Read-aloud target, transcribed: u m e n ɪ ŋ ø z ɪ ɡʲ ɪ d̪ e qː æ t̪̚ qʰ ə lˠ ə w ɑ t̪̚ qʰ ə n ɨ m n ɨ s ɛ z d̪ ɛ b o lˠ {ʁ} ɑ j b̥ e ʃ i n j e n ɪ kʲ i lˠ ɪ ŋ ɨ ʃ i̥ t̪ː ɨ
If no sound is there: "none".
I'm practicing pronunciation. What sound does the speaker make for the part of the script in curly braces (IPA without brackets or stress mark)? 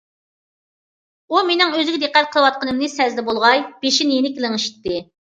ʁ